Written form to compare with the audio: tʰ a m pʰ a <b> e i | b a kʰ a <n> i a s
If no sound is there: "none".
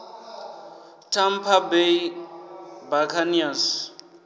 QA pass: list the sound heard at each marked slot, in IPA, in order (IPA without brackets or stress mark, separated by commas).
b, n